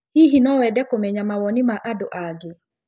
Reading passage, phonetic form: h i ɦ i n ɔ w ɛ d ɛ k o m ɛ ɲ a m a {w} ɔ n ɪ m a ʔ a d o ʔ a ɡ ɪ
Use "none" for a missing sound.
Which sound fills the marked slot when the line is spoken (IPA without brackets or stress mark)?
w